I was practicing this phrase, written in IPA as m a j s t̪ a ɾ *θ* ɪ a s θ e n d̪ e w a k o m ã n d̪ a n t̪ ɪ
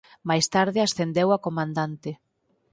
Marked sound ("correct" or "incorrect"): incorrect